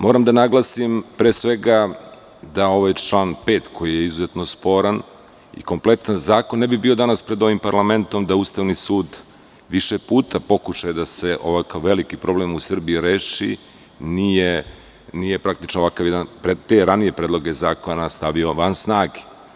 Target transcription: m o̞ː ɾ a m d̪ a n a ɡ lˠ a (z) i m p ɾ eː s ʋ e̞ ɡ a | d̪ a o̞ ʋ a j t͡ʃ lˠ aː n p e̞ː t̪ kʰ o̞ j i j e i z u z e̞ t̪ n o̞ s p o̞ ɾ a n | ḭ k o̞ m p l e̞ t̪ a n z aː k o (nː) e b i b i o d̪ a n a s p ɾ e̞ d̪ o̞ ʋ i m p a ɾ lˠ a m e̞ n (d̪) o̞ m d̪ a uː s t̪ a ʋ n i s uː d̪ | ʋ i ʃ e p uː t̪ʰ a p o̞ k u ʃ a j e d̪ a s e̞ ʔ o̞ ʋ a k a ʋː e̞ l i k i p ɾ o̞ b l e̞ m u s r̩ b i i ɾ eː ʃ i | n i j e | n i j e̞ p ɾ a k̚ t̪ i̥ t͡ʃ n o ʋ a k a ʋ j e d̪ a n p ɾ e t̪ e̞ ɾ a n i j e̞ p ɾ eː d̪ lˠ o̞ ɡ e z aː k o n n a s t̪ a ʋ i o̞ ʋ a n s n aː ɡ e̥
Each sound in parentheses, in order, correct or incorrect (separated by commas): incorrect, correct, incorrect